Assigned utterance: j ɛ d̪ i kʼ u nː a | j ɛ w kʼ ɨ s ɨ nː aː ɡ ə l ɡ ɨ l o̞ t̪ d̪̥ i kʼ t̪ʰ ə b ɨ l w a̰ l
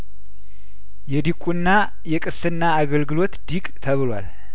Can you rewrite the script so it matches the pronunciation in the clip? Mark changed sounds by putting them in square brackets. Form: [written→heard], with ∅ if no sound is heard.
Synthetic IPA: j ɛ d̪ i kʼ u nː a | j ɛ [w→∅] kʼ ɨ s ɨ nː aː ɡ ə l ɡ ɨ l o̞ t̪ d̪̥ i kʼ t̪ʰ ə [b→β] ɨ l w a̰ l